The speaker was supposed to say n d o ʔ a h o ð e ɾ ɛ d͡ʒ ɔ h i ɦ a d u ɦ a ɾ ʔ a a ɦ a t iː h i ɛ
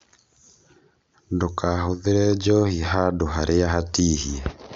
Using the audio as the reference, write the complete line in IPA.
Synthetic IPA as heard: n d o k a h o ð e ɾ ɛ d͡ʒ ɔ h i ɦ a d o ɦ a ɾ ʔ e a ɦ a t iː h i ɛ